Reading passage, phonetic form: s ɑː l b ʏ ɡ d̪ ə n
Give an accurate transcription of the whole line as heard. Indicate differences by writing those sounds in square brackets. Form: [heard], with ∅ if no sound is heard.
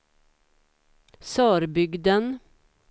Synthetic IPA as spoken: s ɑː [ɾ] b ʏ ɡ d̪ ə n